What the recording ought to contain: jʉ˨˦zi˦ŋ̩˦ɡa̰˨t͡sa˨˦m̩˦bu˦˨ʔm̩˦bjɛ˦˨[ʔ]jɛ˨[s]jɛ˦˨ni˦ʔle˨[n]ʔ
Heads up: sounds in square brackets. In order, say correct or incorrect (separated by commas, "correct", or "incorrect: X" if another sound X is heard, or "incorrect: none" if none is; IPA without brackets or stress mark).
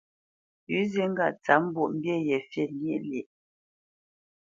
incorrect: none, incorrect: f, incorrect: none